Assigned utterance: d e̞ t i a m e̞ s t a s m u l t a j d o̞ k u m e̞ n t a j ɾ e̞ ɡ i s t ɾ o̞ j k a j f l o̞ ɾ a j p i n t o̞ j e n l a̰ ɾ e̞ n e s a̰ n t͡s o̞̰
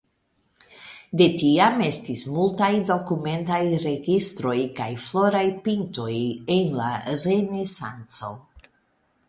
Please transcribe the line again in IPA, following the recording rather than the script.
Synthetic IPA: d e̞ t i a m e̞ s t i s m u l t a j d o̞ k u m e̞ n t a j ɾ e̞ ɡ i s t ɾ o̞ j k a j f l o̞ ɾ a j p i n t o̞ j e n l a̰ ɾ e̞ n e s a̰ n t͡s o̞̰